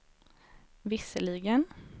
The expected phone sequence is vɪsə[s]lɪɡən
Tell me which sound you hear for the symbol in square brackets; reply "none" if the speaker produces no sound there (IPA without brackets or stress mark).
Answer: none